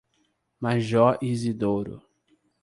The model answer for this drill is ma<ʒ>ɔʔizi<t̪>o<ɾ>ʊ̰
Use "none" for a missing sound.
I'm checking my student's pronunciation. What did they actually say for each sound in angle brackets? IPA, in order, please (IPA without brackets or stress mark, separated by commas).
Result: ʒ, d̪, ɾ